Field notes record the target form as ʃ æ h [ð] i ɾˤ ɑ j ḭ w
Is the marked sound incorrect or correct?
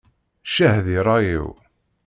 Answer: correct